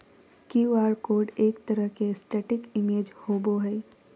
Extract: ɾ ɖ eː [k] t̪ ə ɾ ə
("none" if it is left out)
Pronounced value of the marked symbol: k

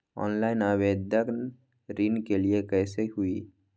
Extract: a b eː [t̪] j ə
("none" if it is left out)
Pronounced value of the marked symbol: d̪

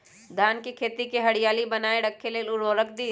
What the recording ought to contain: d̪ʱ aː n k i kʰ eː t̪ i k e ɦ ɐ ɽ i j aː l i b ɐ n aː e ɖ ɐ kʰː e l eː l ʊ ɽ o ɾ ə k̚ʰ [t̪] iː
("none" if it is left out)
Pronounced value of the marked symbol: d̪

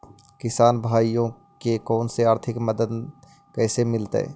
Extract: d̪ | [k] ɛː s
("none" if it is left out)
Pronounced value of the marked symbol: k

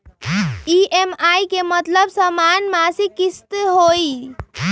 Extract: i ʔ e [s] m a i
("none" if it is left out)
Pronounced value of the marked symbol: none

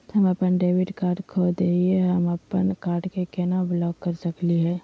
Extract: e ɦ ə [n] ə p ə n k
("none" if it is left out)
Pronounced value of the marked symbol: m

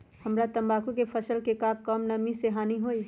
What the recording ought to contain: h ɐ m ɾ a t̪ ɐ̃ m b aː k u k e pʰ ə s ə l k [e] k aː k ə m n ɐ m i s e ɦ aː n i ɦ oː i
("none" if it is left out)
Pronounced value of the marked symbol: e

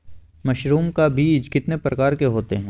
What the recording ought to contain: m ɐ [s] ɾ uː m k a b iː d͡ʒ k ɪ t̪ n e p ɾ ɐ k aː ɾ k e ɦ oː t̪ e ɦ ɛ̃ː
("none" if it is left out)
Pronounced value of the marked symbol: ʃ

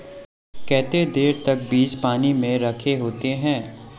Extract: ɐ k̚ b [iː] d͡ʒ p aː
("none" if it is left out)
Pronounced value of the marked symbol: iː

